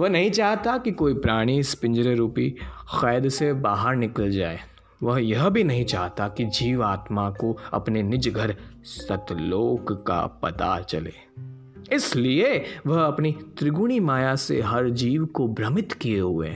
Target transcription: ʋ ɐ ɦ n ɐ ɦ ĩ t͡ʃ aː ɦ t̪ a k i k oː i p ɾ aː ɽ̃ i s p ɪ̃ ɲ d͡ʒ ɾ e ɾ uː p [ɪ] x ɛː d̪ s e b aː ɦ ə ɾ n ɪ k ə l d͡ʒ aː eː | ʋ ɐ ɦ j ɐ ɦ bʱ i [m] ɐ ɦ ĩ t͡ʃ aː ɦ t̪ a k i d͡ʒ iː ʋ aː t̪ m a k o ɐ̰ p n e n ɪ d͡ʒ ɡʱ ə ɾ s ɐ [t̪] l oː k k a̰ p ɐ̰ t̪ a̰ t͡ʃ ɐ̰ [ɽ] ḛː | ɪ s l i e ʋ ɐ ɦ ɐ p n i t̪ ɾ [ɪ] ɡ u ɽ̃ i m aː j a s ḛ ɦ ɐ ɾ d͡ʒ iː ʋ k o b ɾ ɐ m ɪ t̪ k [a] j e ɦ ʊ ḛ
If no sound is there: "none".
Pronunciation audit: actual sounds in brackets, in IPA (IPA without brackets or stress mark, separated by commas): i, n, t̪, l, ɪ, i